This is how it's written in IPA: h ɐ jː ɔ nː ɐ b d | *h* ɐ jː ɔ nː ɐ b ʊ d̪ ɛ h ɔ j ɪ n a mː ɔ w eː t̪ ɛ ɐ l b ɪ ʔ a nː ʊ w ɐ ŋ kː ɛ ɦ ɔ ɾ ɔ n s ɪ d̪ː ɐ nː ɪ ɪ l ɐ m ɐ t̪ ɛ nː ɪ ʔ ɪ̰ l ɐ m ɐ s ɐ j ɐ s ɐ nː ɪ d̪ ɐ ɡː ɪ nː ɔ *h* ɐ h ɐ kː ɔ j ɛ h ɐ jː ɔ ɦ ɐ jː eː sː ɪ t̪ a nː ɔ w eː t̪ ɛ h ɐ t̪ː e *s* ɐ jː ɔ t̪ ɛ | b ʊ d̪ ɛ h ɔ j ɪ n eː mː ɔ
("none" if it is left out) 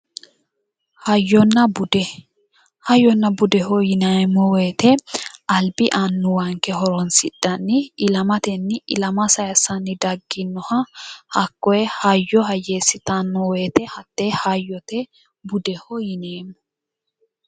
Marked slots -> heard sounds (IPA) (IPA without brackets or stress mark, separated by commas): h, h, h